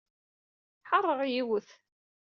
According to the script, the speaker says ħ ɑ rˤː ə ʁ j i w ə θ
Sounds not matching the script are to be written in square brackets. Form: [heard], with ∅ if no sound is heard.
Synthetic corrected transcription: ħ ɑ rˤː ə ʁ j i w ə θ